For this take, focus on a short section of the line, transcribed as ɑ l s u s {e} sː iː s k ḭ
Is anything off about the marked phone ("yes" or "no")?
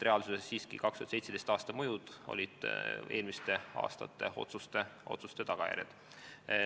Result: no